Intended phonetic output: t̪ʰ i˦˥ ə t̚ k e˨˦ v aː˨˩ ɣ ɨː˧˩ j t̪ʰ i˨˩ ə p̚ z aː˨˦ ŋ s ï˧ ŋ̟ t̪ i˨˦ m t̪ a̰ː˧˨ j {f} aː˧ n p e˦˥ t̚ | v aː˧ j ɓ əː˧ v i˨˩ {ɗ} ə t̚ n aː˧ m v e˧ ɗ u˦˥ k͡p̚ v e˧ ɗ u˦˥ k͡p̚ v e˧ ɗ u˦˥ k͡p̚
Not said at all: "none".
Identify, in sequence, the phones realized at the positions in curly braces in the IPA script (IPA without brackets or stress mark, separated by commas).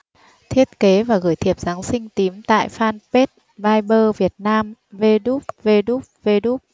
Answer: f, none